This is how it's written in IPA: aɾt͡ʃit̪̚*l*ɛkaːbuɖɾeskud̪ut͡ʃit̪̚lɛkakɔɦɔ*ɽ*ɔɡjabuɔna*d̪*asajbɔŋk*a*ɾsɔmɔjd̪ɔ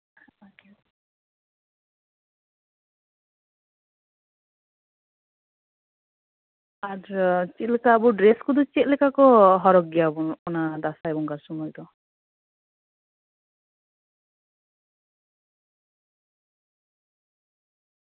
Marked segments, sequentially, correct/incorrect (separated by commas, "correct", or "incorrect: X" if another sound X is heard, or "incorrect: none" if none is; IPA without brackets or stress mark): correct, incorrect: ɾ, correct, correct